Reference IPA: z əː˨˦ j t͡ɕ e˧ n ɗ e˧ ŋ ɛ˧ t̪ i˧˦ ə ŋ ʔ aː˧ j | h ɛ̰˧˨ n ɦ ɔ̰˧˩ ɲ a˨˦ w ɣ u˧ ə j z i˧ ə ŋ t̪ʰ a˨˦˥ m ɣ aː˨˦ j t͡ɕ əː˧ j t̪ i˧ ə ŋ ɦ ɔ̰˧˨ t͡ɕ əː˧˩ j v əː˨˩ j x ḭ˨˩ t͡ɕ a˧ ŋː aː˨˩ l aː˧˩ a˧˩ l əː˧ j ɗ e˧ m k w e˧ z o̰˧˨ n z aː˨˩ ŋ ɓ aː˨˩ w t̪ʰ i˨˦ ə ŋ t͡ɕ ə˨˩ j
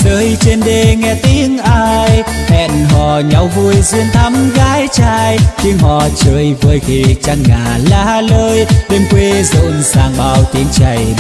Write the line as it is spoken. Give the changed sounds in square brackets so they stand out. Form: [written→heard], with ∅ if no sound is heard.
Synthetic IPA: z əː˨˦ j t͡ɕ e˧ n ɗ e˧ ŋ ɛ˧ t̪ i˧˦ ə ŋ ʔ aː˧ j | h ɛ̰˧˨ n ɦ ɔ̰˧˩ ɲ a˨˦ w [ɣ→v] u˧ ə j z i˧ ə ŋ t̪ʰ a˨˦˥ m ɣ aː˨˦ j t͡ɕ [əː˧→aː˧] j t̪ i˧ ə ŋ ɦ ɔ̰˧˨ t͡ɕ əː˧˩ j v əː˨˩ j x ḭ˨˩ t͡ɕ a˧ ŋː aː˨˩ l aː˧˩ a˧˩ l əː˧ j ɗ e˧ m k w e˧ z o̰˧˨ n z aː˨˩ ŋ ɓ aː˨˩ w [t̪ʰ→t̪] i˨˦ ə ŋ t͡ɕ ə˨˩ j